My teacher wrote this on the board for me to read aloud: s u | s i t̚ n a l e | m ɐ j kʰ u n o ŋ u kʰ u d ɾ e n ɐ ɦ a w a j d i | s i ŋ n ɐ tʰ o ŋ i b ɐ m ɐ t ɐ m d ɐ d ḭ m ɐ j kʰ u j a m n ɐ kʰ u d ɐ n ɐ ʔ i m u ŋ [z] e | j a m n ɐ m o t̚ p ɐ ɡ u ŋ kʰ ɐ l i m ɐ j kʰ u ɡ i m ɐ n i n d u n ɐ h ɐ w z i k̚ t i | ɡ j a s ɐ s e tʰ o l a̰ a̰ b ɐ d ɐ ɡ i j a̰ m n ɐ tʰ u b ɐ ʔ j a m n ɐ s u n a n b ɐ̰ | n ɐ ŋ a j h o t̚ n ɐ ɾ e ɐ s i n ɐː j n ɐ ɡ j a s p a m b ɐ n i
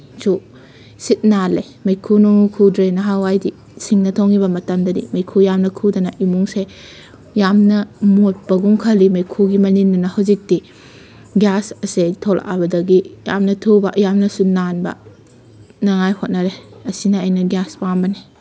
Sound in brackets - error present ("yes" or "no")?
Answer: yes